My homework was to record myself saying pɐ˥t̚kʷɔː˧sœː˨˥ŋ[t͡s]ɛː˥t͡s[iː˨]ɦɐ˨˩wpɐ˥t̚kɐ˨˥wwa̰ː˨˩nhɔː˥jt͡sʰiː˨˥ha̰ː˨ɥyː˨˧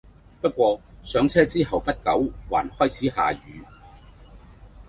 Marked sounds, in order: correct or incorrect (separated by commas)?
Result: incorrect, incorrect